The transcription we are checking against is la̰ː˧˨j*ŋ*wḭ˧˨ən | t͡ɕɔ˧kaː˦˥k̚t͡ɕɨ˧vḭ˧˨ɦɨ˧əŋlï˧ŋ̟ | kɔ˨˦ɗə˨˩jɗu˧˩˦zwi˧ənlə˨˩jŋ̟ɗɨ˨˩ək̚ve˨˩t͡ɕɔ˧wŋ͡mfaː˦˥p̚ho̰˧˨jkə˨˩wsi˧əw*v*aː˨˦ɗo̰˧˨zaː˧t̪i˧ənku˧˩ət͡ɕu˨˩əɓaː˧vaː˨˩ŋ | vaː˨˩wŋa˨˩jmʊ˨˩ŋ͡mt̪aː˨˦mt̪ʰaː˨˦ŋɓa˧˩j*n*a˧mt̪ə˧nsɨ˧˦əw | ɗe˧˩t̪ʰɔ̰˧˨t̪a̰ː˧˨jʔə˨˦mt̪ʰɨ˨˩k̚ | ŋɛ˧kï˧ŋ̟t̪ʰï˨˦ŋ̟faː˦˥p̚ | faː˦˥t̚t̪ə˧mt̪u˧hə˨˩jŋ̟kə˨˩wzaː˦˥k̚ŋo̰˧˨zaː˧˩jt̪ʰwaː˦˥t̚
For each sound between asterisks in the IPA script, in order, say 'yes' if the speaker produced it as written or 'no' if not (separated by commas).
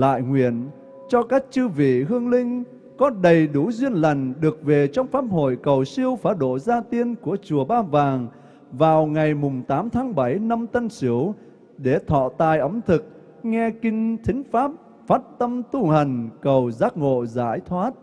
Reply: yes, no, yes